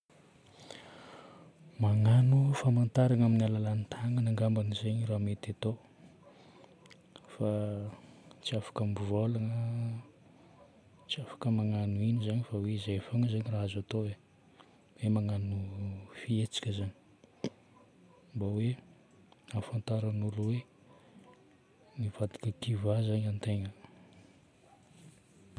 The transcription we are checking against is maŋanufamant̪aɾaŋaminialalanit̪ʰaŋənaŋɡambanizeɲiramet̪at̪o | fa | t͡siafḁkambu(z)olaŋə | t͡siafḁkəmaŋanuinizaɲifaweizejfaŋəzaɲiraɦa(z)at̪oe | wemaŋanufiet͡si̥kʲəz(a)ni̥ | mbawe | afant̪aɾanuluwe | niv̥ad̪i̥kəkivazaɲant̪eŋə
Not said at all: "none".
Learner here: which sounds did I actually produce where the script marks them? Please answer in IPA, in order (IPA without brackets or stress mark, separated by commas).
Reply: v, z, a